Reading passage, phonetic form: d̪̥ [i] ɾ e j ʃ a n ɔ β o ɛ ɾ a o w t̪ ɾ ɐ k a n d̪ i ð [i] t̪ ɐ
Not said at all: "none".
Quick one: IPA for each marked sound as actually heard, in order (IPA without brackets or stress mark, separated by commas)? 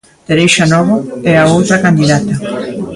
e, a